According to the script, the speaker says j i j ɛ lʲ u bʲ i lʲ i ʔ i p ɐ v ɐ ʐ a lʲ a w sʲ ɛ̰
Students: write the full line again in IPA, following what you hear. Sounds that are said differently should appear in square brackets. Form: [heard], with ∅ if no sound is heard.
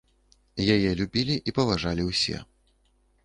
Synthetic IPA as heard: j [a] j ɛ lʲ u bʲ i lʲ i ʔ i p ɐ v [a] ʐ a lʲ [i] w sʲ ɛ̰